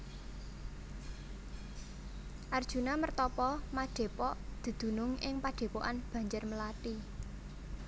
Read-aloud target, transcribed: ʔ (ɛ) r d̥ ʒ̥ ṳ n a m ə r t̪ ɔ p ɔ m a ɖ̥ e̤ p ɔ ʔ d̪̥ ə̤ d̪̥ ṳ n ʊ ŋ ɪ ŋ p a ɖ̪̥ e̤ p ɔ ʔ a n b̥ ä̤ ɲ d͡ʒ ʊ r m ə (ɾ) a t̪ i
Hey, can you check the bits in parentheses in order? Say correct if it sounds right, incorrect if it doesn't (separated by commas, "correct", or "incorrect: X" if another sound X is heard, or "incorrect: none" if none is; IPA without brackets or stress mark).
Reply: incorrect: a, incorrect: l